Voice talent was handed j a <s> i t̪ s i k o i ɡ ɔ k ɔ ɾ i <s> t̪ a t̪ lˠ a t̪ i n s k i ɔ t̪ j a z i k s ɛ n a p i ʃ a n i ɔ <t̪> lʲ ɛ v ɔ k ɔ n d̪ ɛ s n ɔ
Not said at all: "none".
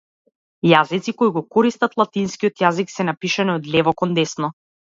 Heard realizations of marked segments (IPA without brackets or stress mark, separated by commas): z, s, d̪